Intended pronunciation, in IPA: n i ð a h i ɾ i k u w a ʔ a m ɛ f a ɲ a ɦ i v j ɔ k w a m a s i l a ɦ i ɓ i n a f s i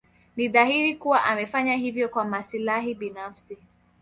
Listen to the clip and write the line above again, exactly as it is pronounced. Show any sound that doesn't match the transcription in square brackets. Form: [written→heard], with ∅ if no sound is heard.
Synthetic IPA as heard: n i ð a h i ɾ i k u w a ʔ a m ɛ f a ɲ a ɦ i v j ɔ k w a m a s i l a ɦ i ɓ i n a f s i